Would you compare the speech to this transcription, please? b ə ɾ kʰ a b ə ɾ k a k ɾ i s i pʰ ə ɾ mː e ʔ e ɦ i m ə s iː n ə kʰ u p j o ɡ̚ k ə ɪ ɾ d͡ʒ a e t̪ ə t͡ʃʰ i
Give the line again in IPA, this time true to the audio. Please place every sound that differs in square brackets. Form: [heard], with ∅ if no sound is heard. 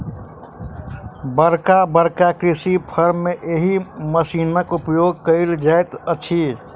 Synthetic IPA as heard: b ə ɾ [k] a b ə ɾ k a k ɾ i s i pʰ ə ɾ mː e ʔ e ɦ i m ə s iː n ə [k] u p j o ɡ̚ k ə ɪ [l] d͡ʒ a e t̪ ə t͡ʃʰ i